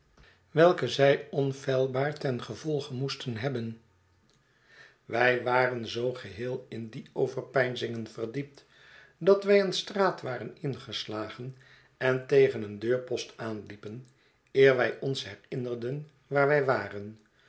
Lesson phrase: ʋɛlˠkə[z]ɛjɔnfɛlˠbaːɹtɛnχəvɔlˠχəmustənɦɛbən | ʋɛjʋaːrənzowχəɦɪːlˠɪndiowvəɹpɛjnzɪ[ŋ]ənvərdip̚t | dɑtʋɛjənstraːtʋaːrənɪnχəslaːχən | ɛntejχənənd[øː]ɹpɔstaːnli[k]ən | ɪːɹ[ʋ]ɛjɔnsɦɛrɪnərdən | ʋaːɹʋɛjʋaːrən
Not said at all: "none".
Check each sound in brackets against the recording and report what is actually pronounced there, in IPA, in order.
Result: z, ŋ, øː, p, ʋ

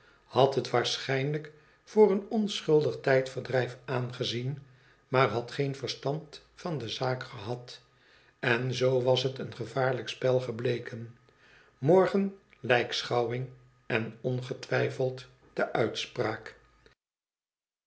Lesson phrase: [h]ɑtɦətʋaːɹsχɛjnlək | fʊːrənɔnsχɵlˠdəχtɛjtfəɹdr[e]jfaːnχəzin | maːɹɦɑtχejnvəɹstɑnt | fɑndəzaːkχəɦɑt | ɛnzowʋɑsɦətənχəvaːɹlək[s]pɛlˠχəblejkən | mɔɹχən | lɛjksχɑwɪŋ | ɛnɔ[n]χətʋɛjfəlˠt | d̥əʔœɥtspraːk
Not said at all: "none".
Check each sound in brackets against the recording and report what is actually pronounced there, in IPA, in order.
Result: h, ɛ, s, n

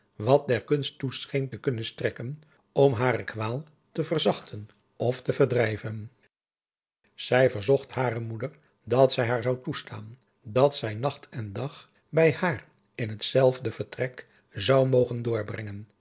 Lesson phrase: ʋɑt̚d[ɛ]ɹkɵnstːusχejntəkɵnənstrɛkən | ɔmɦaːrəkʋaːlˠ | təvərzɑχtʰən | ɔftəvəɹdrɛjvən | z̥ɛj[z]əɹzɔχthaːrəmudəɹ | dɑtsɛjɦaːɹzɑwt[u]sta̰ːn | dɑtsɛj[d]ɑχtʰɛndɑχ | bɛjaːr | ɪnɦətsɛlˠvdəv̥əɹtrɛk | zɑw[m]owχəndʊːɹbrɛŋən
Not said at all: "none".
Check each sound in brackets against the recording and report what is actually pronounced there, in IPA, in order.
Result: ɛ, v, u, n, m

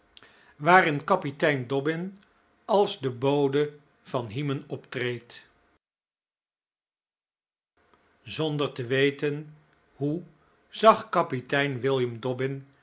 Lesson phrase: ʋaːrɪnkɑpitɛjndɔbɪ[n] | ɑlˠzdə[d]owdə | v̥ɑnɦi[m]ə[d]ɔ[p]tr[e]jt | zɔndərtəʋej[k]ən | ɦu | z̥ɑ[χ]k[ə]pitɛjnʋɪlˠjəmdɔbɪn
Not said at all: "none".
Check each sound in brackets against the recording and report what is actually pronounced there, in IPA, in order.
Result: n, b, m, n, p, e, t, χ, ɑ

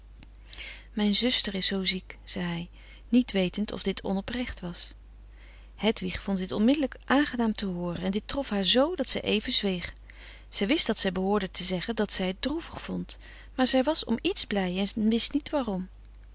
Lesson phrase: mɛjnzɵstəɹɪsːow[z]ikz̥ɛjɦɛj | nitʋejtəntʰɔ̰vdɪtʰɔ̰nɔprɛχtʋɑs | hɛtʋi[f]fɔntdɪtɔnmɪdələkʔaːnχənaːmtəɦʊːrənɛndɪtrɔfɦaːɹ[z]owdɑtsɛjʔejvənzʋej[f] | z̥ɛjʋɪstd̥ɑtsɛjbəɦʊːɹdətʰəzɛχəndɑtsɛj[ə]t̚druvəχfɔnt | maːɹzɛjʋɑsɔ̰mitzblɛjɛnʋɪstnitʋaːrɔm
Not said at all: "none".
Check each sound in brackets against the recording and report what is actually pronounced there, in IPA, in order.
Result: z, χ, z, χ, ə

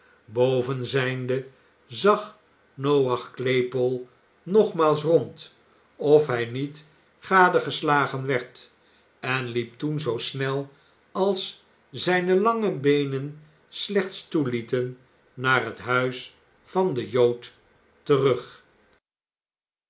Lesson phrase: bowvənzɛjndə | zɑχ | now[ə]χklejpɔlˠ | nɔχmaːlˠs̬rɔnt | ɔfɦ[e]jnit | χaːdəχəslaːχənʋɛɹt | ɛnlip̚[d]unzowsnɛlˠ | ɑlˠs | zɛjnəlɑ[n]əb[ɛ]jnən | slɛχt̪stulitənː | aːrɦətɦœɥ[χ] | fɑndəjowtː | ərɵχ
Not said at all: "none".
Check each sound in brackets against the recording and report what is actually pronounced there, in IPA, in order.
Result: ɑ, ɛ, t, ŋ, e, s

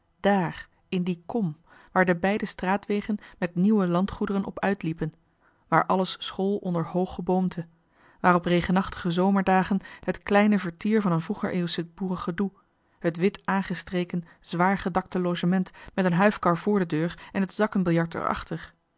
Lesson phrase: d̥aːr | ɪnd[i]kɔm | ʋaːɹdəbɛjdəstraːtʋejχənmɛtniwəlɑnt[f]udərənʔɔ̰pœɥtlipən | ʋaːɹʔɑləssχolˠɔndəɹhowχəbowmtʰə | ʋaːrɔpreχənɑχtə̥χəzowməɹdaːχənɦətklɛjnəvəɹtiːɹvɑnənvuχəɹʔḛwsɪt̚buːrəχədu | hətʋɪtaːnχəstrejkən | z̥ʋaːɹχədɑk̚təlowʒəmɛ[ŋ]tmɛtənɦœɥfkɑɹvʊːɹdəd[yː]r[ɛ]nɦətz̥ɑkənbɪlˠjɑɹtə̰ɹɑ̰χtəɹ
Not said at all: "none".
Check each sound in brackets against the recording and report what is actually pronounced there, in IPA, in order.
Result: i, χ, n, øː, ɛ

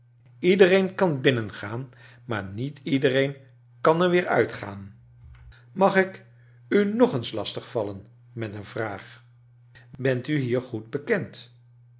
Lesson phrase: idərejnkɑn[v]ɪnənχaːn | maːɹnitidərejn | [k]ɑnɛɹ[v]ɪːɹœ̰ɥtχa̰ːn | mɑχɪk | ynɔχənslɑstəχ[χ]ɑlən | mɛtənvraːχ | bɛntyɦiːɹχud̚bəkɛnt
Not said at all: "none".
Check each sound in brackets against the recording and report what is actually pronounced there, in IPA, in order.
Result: b, k, ʋ, f

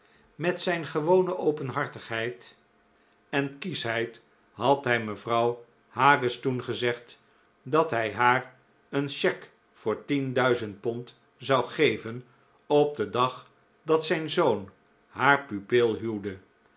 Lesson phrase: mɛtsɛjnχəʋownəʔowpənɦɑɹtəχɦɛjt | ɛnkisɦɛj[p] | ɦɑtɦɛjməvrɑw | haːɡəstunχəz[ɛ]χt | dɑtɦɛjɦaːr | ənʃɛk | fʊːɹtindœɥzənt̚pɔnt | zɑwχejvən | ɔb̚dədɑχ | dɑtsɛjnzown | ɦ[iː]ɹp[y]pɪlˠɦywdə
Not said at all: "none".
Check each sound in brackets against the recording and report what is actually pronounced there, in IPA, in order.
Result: t, ɛ, aː, y

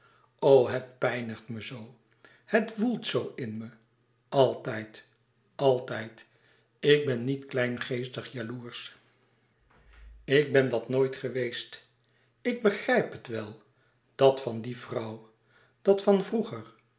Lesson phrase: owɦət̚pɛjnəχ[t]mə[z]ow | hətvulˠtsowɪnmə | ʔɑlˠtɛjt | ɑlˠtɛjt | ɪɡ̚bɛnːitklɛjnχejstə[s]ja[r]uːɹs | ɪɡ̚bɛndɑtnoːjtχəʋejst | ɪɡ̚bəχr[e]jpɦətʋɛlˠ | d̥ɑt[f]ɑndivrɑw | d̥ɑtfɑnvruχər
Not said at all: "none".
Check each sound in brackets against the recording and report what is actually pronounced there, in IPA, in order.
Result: t, z, χ, l, ɛ, f

